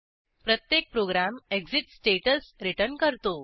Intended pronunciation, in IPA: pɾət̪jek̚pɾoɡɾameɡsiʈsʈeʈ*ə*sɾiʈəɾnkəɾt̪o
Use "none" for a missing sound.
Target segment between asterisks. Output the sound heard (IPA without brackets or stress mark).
ə